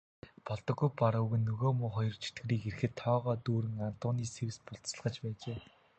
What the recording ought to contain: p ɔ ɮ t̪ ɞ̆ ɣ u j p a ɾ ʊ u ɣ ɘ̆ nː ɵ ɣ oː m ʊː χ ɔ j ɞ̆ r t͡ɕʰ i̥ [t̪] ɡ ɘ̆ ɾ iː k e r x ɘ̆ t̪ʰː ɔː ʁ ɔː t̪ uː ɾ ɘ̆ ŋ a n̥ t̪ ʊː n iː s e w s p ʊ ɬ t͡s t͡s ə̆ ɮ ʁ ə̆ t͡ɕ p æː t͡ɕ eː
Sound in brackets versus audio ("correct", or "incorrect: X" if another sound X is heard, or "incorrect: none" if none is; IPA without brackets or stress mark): correct